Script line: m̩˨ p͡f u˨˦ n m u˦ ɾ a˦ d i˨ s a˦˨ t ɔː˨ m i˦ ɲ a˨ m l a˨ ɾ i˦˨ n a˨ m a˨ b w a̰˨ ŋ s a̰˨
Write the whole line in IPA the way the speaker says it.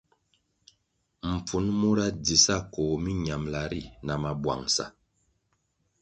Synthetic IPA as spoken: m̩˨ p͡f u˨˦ n m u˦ ɾ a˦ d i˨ s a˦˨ k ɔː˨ m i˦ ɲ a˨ m l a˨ ɾ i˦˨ n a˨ m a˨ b w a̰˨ ŋ s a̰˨